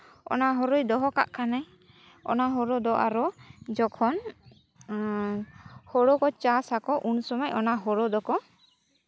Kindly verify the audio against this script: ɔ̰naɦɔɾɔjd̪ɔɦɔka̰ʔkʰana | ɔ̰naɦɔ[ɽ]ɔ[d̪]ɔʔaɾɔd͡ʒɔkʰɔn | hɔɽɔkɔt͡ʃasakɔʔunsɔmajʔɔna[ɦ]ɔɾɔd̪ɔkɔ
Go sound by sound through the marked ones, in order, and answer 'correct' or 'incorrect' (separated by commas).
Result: incorrect, correct, correct